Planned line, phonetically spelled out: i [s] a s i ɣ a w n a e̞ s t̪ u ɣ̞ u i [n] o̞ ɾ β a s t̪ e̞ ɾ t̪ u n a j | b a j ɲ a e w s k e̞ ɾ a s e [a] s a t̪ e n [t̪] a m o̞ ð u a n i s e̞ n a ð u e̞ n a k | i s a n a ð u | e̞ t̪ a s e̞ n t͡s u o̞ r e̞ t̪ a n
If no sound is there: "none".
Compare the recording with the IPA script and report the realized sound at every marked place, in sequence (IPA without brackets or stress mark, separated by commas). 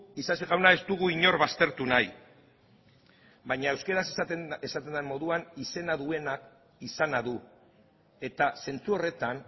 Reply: s, ɲ, e, d̪